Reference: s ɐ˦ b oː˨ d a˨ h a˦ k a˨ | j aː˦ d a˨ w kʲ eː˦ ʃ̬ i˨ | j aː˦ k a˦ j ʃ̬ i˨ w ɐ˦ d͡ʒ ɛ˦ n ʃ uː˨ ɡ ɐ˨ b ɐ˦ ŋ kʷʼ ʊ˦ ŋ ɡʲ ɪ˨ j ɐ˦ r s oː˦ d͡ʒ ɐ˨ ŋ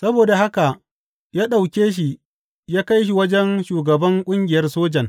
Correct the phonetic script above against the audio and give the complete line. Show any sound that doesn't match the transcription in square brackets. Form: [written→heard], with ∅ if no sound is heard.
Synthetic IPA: s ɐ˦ b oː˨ d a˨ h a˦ k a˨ | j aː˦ [d→ɗ] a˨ w kʲ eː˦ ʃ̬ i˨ | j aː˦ k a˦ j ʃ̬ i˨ w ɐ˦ d͡ʒ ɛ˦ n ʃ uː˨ ɡ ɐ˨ b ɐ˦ ŋ kʷʼ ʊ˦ ŋ ɡʲ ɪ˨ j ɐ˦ r s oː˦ d͡ʒ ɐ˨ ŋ